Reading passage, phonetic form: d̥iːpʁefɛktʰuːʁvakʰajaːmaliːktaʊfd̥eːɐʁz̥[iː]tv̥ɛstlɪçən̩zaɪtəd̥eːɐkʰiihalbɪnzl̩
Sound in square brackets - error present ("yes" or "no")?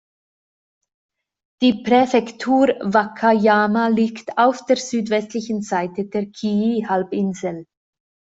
yes